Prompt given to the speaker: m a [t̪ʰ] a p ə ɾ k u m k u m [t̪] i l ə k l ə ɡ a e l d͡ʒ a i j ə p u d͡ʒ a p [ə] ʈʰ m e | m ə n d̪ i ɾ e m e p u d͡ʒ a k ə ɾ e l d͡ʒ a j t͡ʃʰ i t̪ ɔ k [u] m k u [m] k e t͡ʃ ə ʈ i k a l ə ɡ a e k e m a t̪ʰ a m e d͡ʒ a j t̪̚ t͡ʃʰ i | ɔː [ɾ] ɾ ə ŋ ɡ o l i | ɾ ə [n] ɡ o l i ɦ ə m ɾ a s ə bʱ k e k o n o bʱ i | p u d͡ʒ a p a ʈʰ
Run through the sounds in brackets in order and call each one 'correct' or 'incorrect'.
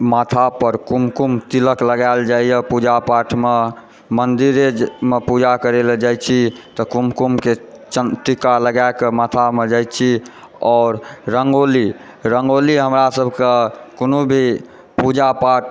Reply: correct, correct, incorrect: a, correct, correct, correct, incorrect: ŋ

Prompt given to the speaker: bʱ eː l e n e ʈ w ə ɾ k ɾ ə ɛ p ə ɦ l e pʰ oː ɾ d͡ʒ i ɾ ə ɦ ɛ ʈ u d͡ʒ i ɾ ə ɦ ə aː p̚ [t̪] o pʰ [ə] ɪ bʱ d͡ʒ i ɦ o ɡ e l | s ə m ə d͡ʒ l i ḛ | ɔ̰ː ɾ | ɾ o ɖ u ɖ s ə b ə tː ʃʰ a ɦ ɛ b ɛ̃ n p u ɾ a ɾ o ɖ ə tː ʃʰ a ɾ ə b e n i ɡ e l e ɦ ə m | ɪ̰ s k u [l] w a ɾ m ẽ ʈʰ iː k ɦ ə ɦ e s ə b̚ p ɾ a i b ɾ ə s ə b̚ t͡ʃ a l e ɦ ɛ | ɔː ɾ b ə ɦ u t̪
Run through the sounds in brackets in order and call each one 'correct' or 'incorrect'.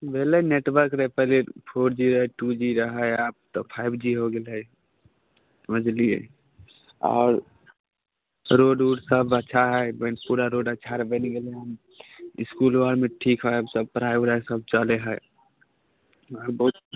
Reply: correct, incorrect: a, correct

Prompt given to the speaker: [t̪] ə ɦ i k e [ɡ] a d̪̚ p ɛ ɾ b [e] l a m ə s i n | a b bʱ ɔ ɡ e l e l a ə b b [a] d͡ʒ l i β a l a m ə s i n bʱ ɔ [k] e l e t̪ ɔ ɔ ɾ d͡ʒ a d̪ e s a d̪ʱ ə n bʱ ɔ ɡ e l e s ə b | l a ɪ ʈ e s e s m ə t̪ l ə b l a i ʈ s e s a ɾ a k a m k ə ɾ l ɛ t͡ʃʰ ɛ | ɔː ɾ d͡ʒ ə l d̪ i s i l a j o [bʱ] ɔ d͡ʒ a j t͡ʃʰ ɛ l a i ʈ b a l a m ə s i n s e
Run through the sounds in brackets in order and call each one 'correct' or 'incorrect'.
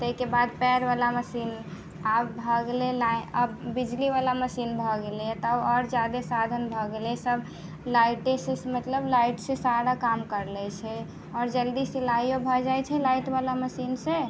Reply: correct, incorrect: b, incorrect: a, incorrect: i, incorrect: ɡ, correct

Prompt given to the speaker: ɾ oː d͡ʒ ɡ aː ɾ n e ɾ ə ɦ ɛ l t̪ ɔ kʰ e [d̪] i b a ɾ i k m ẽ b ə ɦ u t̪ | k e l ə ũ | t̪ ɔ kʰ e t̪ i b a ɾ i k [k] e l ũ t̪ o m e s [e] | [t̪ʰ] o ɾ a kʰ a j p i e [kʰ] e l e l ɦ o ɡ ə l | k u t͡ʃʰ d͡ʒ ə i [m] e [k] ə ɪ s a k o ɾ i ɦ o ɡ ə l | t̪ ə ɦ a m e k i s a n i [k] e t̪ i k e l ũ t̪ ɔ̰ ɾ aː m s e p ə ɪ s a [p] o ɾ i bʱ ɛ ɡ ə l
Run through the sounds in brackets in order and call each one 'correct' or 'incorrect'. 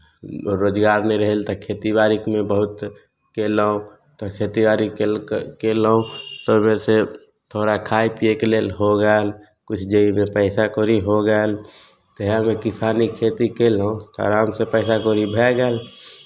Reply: incorrect: t̪, correct, correct, correct, incorrect: k, correct, incorrect: p, incorrect: kʰ, incorrect: k

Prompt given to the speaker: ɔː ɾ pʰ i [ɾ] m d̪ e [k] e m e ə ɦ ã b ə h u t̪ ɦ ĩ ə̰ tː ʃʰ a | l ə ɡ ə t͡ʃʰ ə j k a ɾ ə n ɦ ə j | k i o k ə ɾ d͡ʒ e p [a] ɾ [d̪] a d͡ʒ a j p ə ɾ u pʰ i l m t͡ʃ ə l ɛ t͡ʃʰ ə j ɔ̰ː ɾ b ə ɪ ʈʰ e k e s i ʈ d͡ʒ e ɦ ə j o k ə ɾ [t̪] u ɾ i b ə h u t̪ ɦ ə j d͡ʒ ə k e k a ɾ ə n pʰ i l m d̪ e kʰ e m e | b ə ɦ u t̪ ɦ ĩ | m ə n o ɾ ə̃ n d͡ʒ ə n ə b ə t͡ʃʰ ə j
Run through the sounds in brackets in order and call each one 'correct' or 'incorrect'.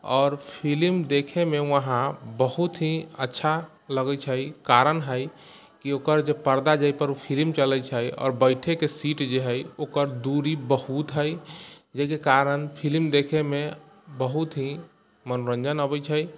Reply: incorrect: l, incorrect: kʰ, incorrect: ə, correct, incorrect: d̪

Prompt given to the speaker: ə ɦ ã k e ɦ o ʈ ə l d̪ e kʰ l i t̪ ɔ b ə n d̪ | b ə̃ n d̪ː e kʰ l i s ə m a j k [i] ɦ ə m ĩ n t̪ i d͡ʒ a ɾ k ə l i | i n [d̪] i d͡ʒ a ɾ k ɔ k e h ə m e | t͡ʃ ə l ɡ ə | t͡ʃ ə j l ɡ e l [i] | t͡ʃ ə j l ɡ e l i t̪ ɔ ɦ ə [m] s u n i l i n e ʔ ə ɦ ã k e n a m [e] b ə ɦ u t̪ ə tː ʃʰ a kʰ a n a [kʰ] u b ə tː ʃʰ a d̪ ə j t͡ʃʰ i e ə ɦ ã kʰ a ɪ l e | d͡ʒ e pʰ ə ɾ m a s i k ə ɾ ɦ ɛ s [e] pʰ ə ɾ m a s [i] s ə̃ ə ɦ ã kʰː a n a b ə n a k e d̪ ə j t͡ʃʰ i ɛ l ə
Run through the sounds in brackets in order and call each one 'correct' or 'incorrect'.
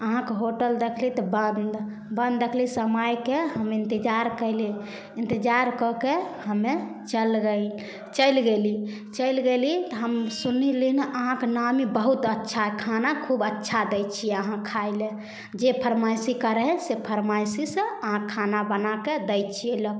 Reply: incorrect: e, incorrect: t̪, correct, correct, incorrect: i, correct, correct, correct

